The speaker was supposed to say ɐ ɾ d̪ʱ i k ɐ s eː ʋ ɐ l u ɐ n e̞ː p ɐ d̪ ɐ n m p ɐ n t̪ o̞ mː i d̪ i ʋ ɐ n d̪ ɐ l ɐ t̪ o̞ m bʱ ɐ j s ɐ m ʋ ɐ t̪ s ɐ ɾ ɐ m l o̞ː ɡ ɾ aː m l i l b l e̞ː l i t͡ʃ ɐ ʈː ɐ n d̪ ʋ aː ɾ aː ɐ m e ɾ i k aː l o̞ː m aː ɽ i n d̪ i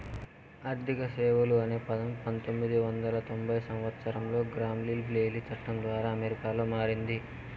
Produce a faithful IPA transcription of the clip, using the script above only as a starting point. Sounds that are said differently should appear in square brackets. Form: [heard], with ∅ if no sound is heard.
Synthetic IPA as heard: ɐ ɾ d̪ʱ i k ɐ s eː ʋ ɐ l u ɐ n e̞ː p ɐ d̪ ɐ [∅] m p ɐ n t̪ o̞ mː i d̪ i ʋ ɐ n d̪ ɐ l ɐ t̪ o̞ m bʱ ɐ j s ɐ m ʋ ɐ t̪ s ɐ ɾ ɐ m l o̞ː ɡ ɾ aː m l i l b l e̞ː l i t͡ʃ ɐ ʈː ɐ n d̪ ʋ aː ɾ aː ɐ m e ɾ i k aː l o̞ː m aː [ɾ] i n d̪ i